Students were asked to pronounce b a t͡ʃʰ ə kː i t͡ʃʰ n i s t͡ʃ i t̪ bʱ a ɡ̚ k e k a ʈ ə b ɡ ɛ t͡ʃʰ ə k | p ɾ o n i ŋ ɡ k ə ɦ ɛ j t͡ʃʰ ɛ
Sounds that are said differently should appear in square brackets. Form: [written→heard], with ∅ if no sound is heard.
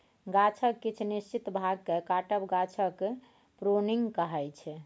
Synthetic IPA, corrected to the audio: [b→ɡ] a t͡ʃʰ ə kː i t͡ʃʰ n i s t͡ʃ i t̪ bʱ a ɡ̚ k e k a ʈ ə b ɡ [ɛ→a] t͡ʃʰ ə k | p ɾ o n i ŋ ɡ k ə ɦ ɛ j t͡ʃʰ ɛ

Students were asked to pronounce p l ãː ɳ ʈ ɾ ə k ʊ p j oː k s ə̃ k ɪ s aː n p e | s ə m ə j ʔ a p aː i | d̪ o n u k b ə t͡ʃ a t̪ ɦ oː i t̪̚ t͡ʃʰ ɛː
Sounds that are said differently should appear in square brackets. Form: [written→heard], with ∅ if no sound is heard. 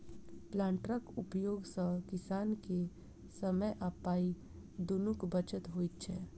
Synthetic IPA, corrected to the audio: p l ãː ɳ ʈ ɾ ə k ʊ p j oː [k→ɡ] s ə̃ k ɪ s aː n [p→k] e | s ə m ə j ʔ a p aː i | d̪ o n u k b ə t͡ʃ [a→ə] t̪ ɦ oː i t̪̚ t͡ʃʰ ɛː

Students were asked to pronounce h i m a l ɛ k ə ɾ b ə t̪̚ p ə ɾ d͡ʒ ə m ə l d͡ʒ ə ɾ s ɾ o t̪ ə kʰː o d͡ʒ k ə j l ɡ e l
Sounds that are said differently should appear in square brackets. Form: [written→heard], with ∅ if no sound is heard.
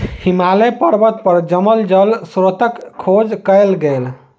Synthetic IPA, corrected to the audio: h i m a l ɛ [k→p] ə ɾ b ə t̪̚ p ə ɾ d͡ʒ ə m ə l d͡ʒ ə [ɾ→l] s ɾ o t̪ ə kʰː o d͡ʒ k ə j l ɡ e l

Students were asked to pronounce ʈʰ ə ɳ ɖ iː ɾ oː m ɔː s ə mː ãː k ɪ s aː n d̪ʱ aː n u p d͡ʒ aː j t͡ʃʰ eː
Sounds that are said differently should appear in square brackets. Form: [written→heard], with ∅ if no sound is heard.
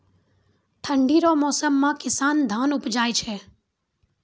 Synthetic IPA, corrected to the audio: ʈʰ ə ɳ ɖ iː ɾ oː m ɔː s ə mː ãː k ɪ s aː n d̪ʱ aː n [u→ʊ] p d͡ʒ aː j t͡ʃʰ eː

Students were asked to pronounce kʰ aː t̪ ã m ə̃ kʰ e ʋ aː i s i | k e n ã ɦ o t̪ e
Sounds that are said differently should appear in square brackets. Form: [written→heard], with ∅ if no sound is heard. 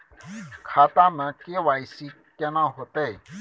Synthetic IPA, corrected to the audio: kʰ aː t̪ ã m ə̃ [kʰ→k] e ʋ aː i s i | k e n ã ɦ o t̪ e

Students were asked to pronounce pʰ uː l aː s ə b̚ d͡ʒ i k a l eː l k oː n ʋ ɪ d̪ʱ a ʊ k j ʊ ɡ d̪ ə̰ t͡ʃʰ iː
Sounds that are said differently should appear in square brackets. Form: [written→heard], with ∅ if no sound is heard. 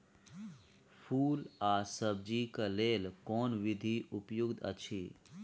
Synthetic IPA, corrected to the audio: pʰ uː l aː s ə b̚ d͡ʒ i k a l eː l k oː n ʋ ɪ d̪ʱ [a→i] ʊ [k→p] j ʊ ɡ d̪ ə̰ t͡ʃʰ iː

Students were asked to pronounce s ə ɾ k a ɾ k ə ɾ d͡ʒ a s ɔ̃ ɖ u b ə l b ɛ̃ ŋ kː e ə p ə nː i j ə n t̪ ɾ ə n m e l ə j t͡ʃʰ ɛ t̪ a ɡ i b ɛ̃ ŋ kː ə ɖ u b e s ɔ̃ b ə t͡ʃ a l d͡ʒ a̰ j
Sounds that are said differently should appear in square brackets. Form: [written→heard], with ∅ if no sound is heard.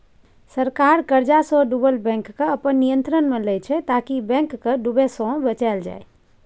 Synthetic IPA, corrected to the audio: s ə ɾ k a ɾ k ə ɾ d͡ʒ a s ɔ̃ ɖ u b ə l b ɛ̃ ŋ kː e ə p ə nː i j ə n t̪ ɾ ə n m e l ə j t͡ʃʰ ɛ t̪ a [ɡ→k] i b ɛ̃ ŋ kː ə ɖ u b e s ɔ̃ b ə t͡ʃ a l d͡ʒ a̰ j

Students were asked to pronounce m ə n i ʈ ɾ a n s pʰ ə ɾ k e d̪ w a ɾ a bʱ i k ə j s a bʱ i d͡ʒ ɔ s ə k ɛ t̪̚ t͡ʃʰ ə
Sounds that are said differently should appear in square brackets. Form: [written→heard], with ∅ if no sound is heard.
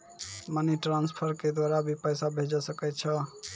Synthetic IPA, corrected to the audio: m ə n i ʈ ɾ a n s pʰ ə ɾ k e d̪ w a ɾ a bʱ i [k→p] ə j s a bʱ [i→e] d͡ʒ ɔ s ə k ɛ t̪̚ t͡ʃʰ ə

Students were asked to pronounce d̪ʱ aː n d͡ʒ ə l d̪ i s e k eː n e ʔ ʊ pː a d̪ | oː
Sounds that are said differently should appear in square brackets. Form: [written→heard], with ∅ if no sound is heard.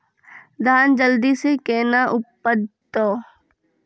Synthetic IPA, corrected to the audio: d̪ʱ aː n d͡ʒ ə l d̪ i s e k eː n [e→a] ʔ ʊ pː [a→ə] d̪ | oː

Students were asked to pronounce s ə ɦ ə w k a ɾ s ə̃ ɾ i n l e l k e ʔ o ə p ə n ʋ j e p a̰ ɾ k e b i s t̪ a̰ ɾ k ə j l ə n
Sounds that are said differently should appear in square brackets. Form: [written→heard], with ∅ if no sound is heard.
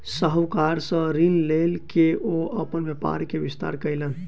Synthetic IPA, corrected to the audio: s ə ɦ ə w k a ɾ s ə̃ ɾ i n l e l k e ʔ o ə p ə n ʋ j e p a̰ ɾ k e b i s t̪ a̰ ɾ k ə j l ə n

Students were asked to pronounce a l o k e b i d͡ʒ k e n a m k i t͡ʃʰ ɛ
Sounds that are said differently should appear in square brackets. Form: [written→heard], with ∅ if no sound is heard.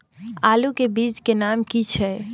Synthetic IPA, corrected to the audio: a l [o→u] k e b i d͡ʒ k e n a m k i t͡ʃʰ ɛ

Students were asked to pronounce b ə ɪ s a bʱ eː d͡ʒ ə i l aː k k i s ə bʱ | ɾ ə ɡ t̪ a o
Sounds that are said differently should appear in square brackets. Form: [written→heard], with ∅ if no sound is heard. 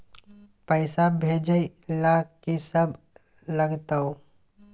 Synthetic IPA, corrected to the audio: [b→p] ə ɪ s a bʱ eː d͡ʒ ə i l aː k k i s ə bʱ | [ɾ→l] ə ɡ t̪ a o

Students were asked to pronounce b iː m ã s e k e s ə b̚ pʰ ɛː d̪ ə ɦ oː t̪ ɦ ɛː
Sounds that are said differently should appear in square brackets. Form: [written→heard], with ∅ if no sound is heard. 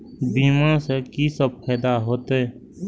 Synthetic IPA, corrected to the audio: b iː m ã s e k [e→i] s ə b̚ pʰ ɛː d̪ [ə→a] ɦ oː t̪ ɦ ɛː

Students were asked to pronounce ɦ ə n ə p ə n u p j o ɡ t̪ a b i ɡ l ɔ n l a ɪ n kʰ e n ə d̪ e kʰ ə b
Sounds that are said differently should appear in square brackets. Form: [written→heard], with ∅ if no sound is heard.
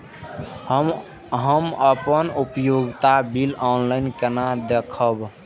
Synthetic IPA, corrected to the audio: ɦ ə [n→m] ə p ə n u p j o ɡ t̪ a b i [ɡ→∅] l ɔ n l a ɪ n [kʰ→k] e n [ə→a] d̪ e kʰ ə b

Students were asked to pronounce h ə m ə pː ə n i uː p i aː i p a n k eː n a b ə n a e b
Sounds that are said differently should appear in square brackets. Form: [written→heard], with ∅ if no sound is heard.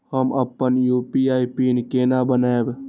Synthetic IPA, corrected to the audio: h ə m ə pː ə n [i→j] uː p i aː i p [a→i] n k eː n a b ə n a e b

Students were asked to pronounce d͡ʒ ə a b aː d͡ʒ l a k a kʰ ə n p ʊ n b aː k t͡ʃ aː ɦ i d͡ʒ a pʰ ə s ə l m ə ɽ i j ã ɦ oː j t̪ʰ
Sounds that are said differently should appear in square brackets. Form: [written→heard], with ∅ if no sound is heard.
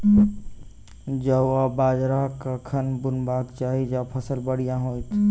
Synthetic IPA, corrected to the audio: d͡ʒ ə a b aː d͡ʒ [l→ɾ] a k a kʰ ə n [p→b] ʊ n b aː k t͡ʃ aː ɦ i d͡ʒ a pʰ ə s ə l [m→b] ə ɽ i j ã ɦ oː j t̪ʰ

